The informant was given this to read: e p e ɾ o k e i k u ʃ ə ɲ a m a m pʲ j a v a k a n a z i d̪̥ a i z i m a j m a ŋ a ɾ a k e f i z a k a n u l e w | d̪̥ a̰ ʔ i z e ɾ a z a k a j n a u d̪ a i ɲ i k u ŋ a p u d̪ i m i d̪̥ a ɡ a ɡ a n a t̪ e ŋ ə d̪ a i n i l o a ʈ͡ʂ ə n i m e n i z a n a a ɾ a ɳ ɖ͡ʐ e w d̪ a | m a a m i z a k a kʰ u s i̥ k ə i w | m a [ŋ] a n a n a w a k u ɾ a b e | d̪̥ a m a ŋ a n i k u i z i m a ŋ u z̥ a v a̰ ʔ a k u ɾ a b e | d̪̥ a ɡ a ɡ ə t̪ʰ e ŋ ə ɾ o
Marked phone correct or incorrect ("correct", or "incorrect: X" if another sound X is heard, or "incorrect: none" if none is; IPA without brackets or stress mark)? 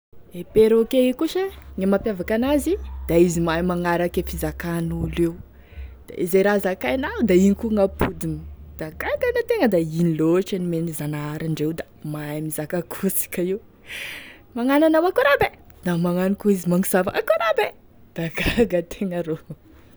correct